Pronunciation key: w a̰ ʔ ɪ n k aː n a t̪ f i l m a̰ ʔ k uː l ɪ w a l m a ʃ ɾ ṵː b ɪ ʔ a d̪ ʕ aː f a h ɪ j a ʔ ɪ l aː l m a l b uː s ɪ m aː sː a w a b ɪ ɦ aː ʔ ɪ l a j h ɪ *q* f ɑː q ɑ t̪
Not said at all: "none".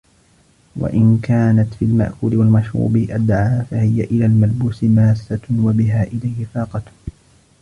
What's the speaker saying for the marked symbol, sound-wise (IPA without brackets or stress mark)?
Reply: none